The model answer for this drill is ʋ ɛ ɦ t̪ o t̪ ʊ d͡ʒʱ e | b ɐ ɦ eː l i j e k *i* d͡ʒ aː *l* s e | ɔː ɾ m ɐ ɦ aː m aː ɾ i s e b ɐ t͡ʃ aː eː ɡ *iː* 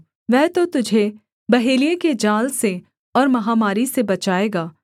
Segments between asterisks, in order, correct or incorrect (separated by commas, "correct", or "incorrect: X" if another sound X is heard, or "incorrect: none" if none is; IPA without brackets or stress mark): incorrect: e, correct, incorrect: aː